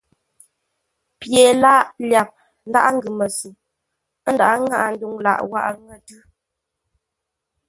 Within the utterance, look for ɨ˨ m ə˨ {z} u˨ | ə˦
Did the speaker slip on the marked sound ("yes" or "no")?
yes